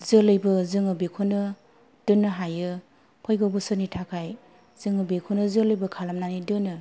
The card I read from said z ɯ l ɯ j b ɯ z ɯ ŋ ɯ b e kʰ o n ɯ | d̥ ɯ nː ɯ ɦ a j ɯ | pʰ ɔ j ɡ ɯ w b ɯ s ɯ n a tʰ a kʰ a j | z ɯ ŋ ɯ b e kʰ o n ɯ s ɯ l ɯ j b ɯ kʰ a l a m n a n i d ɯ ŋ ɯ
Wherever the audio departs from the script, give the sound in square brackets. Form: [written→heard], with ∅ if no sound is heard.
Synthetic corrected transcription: z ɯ l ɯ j b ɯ z ɯ ŋ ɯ b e kʰ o n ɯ | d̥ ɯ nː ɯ ɦ a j ɯ | pʰ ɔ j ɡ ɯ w b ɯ s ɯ n [a→i] tʰ a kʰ a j | z ɯ ŋ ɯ b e kʰ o n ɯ [s→z] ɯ l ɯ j b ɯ kʰ a l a m n a n i d ɯ [ŋ→n] ɯ